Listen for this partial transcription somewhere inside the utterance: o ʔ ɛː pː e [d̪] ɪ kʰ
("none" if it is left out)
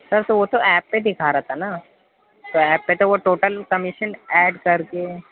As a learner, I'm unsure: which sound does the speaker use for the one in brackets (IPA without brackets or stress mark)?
d̪